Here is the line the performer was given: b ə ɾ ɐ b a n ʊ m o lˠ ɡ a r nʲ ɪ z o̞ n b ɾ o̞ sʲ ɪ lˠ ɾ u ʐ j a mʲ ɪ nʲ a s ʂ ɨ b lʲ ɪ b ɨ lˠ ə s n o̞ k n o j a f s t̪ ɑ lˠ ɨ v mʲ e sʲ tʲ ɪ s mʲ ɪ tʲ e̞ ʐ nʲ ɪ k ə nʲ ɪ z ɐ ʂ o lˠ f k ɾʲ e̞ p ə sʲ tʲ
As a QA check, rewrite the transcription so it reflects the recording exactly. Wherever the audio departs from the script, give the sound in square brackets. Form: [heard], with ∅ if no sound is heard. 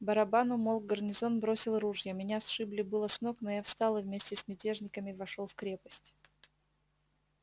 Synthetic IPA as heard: b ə ɾ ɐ b a n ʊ m o lˠ ɡ [ə] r nʲ ɪ z o̞ n b ɾ o̞ sʲ ɪ lˠ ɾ u ʐ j [ə] mʲ ɪ nʲ a s ʂ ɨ b lʲ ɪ b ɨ lˠ ə s n o̞ k n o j a f s t̪ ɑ lˠ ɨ v mʲ e sʲ tʲ ɪ s mʲ ɪ tʲ e̞ ʐ nʲ ɪ k ə [mʲ] ɪ [v] ɐ ʂ o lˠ f k ɾʲ e̞ p ə sʲ tʲ